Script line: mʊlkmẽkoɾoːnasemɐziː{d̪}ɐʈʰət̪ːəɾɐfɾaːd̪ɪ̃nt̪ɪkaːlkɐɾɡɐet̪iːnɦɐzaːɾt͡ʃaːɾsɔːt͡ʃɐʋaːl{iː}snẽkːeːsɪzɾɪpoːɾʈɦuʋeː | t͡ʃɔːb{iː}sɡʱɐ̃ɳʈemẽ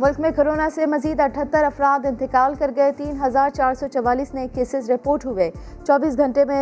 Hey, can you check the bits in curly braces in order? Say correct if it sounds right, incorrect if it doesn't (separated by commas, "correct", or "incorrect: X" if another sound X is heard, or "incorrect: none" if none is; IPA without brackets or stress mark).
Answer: correct, correct, correct